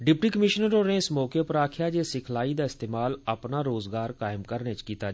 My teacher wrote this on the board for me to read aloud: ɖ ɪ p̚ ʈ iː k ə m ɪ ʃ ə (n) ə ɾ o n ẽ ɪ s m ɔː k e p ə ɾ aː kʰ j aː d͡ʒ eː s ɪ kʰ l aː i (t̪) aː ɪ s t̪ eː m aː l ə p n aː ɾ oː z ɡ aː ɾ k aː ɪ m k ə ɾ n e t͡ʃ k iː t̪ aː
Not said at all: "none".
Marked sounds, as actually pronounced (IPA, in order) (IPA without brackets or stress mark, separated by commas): n, d̪